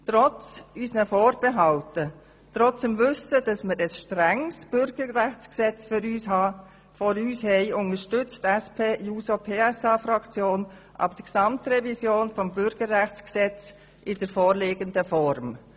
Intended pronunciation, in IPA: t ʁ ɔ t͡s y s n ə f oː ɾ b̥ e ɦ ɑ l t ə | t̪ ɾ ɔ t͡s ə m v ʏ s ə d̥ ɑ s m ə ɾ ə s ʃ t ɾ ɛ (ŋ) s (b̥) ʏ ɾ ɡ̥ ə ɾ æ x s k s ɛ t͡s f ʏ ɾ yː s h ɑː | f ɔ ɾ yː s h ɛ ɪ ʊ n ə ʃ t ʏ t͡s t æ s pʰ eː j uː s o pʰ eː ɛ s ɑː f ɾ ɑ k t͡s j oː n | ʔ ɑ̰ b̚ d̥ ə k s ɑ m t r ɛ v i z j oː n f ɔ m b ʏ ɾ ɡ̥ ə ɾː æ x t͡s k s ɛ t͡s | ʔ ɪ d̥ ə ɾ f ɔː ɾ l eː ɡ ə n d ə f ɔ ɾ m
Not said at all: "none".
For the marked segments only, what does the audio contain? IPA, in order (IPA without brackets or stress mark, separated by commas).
ŋ, b̥